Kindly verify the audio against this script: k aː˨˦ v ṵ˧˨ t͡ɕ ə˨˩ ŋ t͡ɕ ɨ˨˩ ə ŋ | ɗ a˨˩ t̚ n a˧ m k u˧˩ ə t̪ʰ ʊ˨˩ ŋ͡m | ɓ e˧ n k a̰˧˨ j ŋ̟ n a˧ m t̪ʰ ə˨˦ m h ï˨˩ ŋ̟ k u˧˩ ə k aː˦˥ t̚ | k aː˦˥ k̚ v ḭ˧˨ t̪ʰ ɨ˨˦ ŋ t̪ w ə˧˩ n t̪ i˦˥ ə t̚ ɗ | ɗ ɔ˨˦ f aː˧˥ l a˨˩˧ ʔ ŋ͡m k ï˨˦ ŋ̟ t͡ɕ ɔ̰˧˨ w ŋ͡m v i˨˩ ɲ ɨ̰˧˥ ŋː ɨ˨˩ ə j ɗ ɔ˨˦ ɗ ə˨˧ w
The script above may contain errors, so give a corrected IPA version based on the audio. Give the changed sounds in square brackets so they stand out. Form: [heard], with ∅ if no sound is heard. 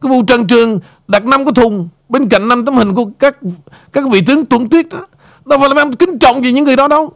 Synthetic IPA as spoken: k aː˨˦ v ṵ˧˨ t͡ɕ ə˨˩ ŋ t͡ɕ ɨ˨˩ ə ŋ | ɗ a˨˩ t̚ n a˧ m k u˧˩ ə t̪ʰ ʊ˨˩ ŋ͡m | ɓ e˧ n k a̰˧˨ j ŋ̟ n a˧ m [t̪] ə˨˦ m h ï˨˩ ŋ̟ k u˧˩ ə k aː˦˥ [k̚] | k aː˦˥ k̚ v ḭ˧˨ [t̪] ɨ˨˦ ŋ t̪ w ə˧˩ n t̪ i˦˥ ə t̚ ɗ | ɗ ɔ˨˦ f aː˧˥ l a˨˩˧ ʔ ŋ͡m k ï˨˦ ŋ̟ t͡ɕ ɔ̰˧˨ w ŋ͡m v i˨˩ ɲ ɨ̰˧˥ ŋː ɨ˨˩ ə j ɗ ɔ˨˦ ɗ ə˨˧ w